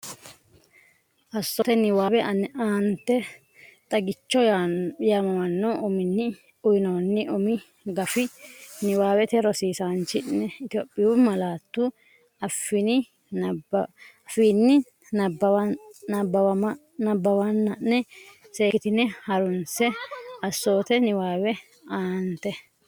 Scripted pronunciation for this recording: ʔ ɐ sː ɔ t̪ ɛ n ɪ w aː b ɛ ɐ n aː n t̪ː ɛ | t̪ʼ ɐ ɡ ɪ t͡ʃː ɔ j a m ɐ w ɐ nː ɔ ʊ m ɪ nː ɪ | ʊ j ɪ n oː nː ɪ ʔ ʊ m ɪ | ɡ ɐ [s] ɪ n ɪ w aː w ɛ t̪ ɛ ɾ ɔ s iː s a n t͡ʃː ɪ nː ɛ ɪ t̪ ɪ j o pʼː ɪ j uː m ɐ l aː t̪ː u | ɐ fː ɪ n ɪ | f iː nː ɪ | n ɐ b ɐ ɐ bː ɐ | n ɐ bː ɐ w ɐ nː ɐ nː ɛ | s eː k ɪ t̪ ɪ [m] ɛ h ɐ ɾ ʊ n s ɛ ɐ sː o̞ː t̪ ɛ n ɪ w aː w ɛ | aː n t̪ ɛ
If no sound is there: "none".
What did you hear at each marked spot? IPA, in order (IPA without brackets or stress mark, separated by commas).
f, n